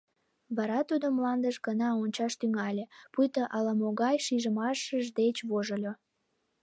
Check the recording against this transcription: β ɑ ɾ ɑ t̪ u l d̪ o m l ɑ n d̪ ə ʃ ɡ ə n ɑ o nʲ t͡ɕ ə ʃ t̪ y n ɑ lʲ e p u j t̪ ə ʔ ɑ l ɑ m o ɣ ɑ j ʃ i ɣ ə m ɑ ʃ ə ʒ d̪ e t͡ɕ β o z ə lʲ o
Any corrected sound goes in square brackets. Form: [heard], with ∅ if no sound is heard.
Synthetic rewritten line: β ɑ ɾ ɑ t̪ u [∅] d̪ o m l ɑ n d̪ ə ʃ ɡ ə n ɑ o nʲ t͡ɕ [ɑ] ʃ t̪ y [ŋ] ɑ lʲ e p u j t̪ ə ʔ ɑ l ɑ m o ɣ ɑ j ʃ i [ʒ] ə m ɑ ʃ ə ʒ d̪ e t͡ɕ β o [ʒ] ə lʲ o